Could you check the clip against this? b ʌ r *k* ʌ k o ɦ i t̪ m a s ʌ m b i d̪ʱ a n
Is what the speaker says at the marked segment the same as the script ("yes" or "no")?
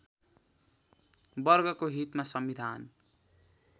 no